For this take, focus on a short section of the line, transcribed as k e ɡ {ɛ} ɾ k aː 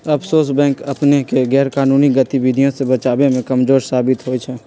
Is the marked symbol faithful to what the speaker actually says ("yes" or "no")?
no